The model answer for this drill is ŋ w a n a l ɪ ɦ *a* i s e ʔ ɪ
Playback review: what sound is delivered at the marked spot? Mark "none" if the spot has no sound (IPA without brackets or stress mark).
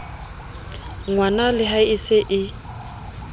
a